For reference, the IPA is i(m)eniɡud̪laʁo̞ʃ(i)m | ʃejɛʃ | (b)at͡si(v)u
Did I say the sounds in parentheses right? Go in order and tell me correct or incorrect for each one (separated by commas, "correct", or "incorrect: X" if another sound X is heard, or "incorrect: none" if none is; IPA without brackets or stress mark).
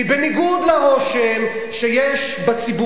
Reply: incorrect: b, incorrect: e, correct, incorrect: b